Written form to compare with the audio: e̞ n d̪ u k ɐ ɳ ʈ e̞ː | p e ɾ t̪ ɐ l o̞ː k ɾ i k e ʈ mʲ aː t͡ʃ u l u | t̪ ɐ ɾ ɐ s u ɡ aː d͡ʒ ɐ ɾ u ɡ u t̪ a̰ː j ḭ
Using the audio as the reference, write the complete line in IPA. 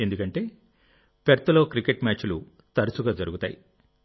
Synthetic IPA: e̞ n d̪ u k ɐ ɳ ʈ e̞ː | p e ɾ t̪ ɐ l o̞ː k ɾ i k e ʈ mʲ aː t͡ʃ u l u | t̪ ɐ ɾ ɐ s u ɡ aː d͡ʒ ɐ ɾ u ɡ u t̪ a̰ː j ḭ

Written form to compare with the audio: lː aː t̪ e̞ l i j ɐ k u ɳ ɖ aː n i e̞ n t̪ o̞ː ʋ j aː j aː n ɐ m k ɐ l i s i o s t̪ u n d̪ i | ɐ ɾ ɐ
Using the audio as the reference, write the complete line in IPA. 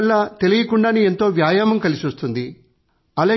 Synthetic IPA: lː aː t̪ e̞ l i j ɐ k u ɳ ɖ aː n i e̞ n t̪ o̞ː ʋ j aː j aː m ɐ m k ɐ l i s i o s t̪ u n d̪ i | ɐ l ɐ

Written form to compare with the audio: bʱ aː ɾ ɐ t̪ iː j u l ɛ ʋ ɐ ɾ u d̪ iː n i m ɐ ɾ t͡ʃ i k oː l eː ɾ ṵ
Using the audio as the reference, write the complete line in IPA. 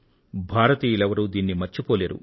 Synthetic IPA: bʱ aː ɾ ɐ t̪ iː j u l ɛ ʋ ɐ ɾ u d̪ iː nː i m ɐ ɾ t͡ʃ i p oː l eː ɾ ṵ

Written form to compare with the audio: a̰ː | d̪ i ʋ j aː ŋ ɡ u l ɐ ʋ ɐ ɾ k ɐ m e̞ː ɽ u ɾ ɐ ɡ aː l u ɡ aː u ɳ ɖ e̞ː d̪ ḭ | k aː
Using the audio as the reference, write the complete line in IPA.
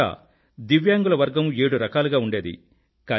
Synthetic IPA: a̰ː | d̪ i ʋ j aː ŋ ɡ u l ɐ ʋ ɐ ɾ ɡ ɐ m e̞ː ɽ u ɾ ɐ k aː l u ɡ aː u ɳ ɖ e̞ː d̪ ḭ | k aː

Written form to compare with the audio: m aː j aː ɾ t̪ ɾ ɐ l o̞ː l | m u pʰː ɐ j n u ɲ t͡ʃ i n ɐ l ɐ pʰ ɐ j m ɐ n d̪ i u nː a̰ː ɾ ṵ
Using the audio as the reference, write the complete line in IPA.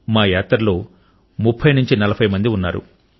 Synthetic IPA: m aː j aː t̪ ɾ ɐ l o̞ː | m u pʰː ɐ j n u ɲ t͡ʃ i n ɐ l ɐ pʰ ɐ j m ɐ n d̪ i u nː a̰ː ɾ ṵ

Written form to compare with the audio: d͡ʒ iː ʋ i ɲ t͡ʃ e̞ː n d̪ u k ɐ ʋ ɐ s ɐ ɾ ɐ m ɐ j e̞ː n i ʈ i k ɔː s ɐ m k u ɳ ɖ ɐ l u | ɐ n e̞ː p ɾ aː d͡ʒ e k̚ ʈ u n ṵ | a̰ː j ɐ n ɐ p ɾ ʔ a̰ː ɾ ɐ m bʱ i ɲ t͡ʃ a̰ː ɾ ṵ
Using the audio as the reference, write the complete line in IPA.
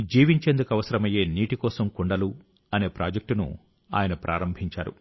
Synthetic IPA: d͡ʒ iː ʋ i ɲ t͡ʃ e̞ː n d̪ u k ɐ ʋ ɐ s ɐ ɾ ɐ m ɐ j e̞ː n iː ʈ i k ɔː s ɐ m k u ɳ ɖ ɐ l u | ɐ n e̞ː p ɾ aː d͡ʒ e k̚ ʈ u n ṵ | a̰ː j ɐ n ɐ p ɾ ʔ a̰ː ɾ ɐ m bʱ i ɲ t͡ʃ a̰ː ɾ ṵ

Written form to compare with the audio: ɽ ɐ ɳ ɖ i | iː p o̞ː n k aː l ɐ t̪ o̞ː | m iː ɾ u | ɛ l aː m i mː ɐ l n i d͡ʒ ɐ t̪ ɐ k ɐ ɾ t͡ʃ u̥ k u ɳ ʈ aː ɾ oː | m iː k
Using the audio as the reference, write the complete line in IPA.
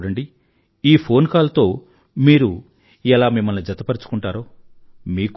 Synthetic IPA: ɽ ɐ ɳ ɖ i | iː pʰ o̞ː n k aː l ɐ t̪ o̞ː | m iː ɾ u | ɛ l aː m i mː ɐ l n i d͡ʒ ɐ t̪ ɐ p ɐ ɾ t͡ʃ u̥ k u ɳ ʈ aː ɾ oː | m iː k

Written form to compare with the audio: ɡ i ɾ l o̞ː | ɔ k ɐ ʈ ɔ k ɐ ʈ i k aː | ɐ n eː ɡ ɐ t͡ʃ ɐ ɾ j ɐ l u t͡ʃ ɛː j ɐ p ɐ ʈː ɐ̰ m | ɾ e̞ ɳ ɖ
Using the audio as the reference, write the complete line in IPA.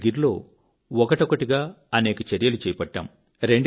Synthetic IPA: ɡ i ɾ l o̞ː | ɔ k ɐ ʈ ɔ k ɐ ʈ i ɡ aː | ɐ n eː k ɐ t͡ʃ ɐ ɾ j ɐ l u t͡ʃ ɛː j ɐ p ɐ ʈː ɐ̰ m | ɾ e̞ ɳ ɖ

